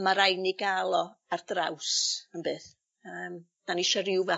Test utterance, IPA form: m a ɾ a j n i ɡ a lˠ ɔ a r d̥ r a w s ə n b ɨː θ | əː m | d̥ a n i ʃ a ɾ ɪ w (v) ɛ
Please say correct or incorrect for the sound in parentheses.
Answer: correct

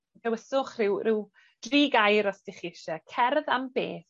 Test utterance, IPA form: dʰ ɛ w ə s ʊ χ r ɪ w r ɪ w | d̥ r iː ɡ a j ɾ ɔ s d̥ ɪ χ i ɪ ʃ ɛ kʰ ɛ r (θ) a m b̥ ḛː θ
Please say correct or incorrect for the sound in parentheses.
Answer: incorrect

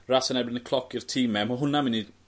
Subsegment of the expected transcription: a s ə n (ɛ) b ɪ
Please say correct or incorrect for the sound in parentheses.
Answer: correct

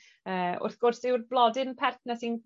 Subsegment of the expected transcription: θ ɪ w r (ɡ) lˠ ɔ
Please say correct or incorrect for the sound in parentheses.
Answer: incorrect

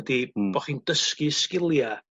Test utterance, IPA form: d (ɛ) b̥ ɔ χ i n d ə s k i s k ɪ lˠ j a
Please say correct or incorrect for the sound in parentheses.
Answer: incorrect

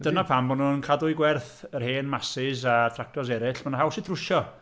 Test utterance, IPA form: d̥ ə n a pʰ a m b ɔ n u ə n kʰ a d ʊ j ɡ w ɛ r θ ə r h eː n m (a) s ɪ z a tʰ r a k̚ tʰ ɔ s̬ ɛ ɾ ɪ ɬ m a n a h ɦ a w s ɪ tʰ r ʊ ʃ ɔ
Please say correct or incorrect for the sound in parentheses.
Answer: correct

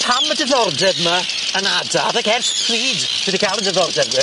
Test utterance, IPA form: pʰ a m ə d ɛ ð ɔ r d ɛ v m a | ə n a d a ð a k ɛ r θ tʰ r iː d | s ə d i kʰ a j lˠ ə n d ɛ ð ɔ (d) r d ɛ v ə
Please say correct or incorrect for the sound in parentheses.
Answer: incorrect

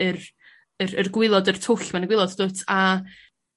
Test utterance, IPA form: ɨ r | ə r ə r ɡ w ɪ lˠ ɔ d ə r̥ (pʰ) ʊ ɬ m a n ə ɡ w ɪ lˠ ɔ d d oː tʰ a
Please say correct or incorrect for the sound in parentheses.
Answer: incorrect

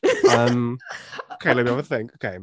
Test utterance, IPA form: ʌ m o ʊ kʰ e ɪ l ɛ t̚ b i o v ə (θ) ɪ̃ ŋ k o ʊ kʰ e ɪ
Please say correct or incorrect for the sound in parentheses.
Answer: correct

